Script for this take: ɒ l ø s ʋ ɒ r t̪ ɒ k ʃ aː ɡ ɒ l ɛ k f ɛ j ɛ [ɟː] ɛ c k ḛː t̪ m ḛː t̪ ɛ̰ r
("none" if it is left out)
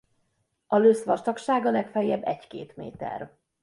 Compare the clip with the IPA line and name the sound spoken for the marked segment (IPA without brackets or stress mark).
bː